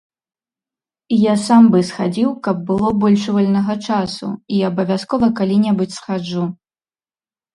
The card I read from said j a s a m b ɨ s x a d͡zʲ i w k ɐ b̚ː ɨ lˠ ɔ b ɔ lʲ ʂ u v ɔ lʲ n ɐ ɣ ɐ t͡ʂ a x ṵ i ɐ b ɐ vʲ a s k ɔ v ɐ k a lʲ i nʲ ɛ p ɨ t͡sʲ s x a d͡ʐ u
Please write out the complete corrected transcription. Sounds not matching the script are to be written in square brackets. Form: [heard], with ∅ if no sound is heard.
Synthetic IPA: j a s a m b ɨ s x a d͡zʲ i w k ɐ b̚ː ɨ lˠ ɔ b ɔ lʲ ʂ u v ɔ lʲ n ɐ ɣ ɐ t͡ʂ a [s] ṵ i ɐ b ɐ vʲ a s k ɔ v ɐ k a lʲ i nʲ ɛ [b] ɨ t͡sʲ s x a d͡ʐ u